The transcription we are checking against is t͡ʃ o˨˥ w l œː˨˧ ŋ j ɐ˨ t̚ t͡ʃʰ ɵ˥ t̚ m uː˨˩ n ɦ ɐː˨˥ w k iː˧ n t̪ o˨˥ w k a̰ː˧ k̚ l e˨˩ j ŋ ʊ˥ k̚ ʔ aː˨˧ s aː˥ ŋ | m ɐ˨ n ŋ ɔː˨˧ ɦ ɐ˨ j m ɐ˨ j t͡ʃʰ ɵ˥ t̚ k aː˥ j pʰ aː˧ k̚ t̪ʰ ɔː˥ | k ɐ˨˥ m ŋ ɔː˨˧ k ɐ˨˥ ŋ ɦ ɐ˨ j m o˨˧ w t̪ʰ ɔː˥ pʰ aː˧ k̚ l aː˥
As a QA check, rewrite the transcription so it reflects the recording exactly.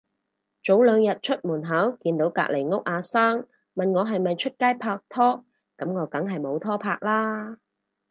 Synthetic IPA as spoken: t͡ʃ o˨˥ w l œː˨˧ ŋ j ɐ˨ t̚ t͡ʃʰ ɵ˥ t̚ m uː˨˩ n ɦ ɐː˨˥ w k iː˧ n t̪ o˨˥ w k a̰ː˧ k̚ l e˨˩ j ŋ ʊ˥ k̚ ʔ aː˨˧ s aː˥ ŋ | m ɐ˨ n ŋ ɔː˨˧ ɦ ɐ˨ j m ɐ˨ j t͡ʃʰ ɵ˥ t̚ k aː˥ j pʰ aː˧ k̚ t̪ʰ ɔː˥ | k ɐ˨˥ m ŋ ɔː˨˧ k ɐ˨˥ ŋ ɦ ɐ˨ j m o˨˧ w t̪ʰ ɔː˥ pʰ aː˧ k̚ l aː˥